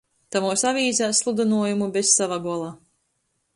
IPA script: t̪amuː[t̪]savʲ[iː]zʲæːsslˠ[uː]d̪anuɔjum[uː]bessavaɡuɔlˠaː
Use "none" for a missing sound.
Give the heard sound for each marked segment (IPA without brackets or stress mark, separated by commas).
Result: none, iː, u, u